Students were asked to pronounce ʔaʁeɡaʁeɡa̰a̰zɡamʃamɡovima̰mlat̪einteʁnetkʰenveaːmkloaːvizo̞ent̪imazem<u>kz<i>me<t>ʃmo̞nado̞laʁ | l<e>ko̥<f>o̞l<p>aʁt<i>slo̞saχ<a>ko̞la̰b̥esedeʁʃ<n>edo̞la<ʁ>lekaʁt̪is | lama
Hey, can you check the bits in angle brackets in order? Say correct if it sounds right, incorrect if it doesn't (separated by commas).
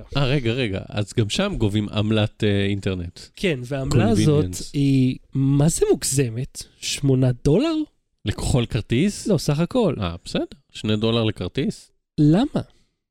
correct, incorrect, correct, correct, incorrect, incorrect, correct, correct, correct, correct